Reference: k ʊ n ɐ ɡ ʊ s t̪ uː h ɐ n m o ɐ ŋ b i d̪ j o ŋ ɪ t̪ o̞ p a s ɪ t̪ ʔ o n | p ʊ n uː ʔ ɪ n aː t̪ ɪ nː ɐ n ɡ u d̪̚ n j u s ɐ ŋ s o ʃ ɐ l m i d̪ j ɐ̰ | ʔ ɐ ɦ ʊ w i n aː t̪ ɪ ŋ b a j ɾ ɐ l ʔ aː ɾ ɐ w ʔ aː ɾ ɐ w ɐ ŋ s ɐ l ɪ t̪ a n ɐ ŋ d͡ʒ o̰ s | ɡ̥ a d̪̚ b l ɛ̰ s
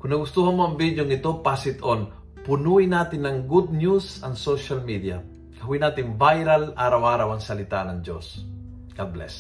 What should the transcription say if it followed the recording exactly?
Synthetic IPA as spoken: k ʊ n ɐ ɡ ʊ s t̪ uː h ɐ n m o ɐ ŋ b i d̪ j o ŋ ɪ t̪ o̞ p a s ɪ t̪ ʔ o n | p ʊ n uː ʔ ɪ n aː t̪ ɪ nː ɐ ŋ ɡ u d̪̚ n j u s ɐ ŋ s o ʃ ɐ l m i d̪ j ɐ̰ | k ɐ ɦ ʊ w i n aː t̪ ɪ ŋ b a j ɾ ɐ l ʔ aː ɾ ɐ w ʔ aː ɾ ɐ w ɐ ŋ s ɐ l ɪ t̪ a n ɐ ŋ d͡ʒ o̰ s | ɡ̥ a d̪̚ b l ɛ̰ s